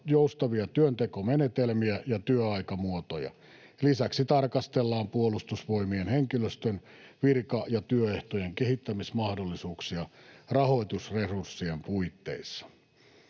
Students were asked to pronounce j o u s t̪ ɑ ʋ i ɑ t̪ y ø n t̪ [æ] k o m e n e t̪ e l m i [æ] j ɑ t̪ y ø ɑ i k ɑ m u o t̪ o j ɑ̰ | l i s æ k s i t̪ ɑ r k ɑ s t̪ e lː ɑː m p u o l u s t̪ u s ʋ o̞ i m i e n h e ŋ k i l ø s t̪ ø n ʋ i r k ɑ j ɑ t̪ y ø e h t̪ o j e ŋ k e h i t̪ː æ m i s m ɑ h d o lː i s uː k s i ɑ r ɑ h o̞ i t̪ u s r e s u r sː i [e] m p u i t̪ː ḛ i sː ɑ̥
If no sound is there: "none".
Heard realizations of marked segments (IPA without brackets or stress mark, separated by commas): e, æ, e